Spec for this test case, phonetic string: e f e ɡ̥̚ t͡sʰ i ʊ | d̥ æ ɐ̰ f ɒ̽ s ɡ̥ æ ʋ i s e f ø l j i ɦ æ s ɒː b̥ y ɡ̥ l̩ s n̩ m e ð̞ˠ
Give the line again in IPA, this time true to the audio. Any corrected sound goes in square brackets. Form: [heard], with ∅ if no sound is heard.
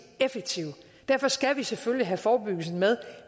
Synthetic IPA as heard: e f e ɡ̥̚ t͡sʰ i ʊ | d̥ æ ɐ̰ f ɒ̽ s ɡ̥ æ ʋ i s e f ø l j i ɦ æ [f] ɒː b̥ y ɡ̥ l̩ s n̩ m e ð̞ˠ